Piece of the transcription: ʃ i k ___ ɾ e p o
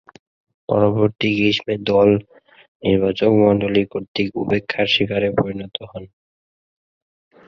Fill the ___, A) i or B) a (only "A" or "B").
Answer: B